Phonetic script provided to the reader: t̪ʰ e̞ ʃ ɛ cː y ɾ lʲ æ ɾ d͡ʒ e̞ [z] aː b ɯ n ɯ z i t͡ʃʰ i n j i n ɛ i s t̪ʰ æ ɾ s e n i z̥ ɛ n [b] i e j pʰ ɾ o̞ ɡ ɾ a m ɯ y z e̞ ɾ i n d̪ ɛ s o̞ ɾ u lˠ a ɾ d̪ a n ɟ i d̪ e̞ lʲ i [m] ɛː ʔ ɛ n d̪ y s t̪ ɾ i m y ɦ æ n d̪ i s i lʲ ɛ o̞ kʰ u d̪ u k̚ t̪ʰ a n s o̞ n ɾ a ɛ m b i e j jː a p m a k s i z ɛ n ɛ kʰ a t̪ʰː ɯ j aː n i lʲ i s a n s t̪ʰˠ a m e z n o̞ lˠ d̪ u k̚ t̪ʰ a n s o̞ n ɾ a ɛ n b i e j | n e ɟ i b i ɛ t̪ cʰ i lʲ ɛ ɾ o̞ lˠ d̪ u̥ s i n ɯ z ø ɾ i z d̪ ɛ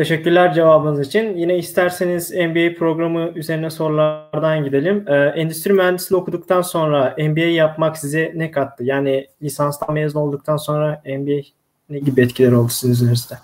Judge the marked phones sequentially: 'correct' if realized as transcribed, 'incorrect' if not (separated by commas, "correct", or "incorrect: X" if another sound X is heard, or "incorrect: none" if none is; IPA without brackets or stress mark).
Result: incorrect: v, correct, correct